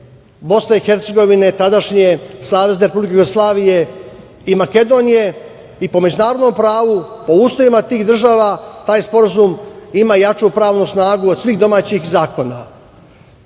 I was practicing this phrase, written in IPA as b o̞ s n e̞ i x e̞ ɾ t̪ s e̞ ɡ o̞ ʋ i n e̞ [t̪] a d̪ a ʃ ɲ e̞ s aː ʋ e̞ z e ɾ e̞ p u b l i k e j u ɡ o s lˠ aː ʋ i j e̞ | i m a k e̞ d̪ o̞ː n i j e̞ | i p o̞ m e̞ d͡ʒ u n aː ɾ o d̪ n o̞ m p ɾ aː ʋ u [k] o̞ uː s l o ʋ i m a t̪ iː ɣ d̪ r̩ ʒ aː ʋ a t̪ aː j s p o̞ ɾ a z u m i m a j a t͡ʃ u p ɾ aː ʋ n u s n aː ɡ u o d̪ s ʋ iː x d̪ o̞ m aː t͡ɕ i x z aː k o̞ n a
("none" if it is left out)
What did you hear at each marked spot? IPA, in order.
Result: t̪, p

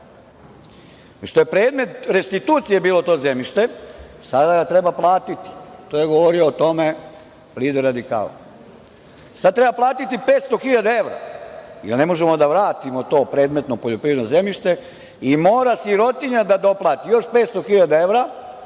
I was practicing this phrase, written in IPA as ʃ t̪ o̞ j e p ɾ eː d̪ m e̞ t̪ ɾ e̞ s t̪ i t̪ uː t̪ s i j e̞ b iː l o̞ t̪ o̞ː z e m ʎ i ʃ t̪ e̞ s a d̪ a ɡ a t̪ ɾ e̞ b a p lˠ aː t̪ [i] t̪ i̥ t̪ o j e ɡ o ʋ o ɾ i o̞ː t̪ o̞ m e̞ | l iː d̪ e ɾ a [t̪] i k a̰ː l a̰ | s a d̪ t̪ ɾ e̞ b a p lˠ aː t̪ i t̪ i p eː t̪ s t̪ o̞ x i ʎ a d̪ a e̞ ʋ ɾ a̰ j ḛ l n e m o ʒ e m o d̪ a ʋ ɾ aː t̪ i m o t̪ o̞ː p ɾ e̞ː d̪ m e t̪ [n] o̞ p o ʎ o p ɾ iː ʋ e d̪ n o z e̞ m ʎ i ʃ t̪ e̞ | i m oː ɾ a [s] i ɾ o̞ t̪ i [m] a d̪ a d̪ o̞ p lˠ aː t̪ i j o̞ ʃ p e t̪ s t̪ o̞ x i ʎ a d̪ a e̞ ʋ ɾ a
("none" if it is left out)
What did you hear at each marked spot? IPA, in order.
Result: i, d̪, n, s, ɲ

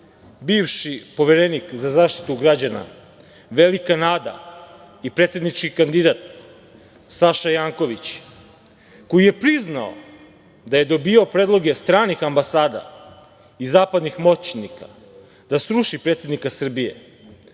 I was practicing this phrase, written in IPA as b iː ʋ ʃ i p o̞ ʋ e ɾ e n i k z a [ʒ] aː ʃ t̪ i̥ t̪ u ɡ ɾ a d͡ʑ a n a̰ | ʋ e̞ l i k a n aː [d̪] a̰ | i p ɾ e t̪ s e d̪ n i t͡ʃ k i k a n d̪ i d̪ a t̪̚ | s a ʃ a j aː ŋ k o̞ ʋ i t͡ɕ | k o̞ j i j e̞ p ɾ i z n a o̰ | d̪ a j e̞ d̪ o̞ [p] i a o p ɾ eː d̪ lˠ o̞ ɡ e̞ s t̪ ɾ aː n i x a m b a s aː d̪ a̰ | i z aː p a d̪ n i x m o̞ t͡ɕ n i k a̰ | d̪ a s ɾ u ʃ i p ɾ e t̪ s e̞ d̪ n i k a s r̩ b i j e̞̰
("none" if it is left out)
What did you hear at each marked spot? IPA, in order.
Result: z, d̪, b

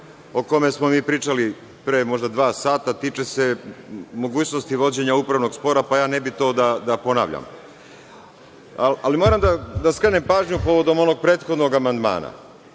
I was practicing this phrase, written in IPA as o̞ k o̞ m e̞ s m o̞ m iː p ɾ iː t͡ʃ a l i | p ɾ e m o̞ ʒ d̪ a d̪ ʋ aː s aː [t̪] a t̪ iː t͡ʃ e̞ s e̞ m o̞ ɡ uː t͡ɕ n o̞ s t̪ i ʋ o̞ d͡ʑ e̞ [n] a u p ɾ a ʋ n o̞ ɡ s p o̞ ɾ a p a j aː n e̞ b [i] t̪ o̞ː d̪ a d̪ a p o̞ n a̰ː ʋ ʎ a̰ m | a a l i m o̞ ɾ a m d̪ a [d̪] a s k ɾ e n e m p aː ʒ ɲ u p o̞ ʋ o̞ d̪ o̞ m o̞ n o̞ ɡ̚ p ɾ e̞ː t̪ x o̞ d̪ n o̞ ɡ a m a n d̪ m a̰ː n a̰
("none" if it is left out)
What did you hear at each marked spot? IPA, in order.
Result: t̪, ɲ, i, d̪

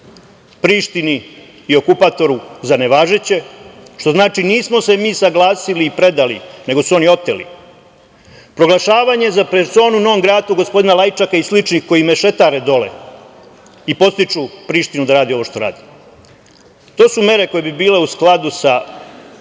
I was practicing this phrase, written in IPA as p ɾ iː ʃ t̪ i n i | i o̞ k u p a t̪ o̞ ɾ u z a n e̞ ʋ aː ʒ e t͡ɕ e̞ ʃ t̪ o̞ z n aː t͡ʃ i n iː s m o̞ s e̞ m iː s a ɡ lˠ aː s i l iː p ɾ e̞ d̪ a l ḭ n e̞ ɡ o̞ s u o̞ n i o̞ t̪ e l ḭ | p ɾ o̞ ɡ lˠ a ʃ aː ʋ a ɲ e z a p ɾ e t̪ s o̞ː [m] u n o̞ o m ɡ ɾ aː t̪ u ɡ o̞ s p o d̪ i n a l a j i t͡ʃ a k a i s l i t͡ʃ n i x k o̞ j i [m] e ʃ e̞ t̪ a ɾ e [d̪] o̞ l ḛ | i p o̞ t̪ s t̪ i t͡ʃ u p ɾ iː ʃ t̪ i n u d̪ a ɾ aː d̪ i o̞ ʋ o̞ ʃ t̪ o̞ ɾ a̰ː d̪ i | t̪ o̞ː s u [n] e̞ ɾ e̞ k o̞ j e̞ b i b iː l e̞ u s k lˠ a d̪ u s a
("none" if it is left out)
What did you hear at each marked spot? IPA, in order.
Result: n, m, d̪, m

